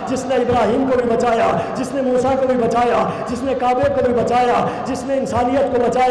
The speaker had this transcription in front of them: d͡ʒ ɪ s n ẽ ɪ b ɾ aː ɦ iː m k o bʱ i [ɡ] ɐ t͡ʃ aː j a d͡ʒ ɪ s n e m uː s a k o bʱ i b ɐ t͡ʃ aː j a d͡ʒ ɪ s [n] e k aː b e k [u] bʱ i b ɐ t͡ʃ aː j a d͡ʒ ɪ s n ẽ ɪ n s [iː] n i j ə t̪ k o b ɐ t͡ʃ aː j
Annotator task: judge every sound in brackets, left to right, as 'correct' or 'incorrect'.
incorrect, correct, incorrect, incorrect

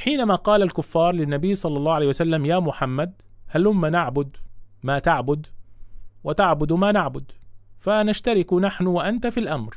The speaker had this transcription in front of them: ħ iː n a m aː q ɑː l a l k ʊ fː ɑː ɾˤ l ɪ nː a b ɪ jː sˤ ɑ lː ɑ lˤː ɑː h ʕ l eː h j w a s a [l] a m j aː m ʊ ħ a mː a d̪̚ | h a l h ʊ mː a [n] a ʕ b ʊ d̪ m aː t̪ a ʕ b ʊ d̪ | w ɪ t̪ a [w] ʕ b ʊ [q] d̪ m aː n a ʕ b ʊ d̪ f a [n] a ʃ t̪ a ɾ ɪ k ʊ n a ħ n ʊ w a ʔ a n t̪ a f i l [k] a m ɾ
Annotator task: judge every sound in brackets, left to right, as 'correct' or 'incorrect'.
incorrect, correct, incorrect, incorrect, correct, incorrect

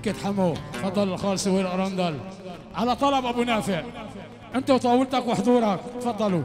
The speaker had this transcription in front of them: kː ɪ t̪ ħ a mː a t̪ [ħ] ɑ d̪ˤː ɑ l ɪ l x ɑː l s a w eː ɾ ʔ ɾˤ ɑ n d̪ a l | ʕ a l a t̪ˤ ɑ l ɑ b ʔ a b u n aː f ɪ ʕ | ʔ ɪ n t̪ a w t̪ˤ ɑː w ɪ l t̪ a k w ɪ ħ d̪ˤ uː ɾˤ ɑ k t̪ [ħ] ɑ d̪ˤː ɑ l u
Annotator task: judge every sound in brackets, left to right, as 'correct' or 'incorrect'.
incorrect, incorrect

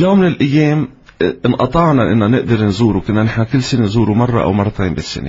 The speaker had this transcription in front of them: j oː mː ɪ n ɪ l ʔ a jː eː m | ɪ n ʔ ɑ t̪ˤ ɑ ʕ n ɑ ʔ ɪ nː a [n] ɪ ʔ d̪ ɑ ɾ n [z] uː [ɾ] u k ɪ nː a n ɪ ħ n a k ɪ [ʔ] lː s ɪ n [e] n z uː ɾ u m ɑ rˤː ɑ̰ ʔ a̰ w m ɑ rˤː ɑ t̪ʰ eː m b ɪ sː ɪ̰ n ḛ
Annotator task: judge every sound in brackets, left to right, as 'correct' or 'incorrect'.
correct, correct, correct, incorrect, correct

